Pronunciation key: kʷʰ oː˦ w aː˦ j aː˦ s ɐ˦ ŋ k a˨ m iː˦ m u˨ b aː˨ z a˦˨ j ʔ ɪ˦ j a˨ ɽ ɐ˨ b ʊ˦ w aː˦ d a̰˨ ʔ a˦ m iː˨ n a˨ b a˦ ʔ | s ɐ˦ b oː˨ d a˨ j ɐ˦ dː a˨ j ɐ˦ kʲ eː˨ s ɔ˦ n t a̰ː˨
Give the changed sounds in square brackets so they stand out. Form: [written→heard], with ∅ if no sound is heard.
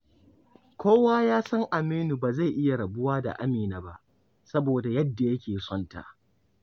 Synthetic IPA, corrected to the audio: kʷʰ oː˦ w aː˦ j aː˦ s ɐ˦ ŋ [k→ʔ] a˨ m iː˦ [m→n] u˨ b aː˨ z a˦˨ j ʔ ɪ˦ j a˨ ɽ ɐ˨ b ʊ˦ w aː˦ d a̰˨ ʔ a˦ m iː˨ n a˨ b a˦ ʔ | s ɐ˦ b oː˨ d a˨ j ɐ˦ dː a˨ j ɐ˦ kʲ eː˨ s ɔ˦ n t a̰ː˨